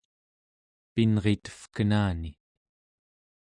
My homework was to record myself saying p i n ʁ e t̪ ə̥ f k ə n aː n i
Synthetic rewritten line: p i n ʁ e t̪ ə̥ f k ə n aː n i